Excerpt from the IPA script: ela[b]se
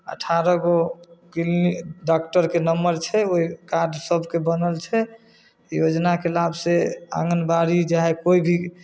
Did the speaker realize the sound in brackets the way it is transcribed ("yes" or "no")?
yes